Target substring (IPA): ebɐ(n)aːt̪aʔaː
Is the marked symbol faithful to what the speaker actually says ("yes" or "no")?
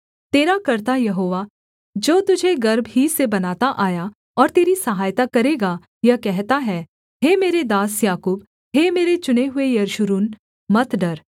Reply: yes